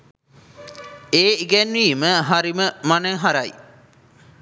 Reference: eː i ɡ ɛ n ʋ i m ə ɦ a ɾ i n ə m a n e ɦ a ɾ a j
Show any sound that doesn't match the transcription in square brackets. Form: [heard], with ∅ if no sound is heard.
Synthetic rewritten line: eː i ɡ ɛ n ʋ [iː] m ə ɦ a ɾ i [m] ə m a n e ɦ a ɾ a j